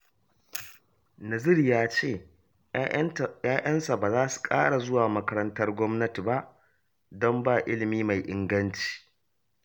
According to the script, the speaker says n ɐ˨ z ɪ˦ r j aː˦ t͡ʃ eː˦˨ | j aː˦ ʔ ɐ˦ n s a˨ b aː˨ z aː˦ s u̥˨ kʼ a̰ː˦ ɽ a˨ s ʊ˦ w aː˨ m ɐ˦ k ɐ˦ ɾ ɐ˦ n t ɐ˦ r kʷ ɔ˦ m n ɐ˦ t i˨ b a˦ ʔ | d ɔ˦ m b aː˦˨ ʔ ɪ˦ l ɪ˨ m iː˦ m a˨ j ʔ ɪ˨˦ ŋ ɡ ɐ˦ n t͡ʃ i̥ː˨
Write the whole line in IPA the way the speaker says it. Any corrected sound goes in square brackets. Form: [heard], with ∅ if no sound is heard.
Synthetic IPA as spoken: n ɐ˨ z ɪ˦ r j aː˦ t͡ʃ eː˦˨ | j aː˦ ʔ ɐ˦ n s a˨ b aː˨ z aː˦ s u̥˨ kʼ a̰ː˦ ɽ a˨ [z] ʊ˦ w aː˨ m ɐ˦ k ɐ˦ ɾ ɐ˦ n t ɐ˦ r [ɡʷ] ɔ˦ m n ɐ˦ t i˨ b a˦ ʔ | d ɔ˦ m b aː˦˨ ʔ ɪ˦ l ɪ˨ m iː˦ m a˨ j ʔ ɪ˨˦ ŋ ɡ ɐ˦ n t͡ʃ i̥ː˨